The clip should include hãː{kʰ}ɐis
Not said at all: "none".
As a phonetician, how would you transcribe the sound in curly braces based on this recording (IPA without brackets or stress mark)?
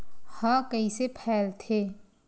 k